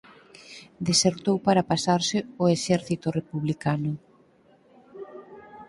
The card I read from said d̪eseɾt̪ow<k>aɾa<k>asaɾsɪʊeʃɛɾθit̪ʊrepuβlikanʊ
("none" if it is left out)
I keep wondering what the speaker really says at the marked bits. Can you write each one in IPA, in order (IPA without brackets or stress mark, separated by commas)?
p, p